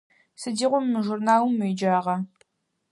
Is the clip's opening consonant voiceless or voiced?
voiceless